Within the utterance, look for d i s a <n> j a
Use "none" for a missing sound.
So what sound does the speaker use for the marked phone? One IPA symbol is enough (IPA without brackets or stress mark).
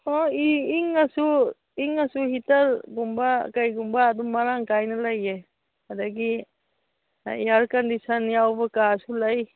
n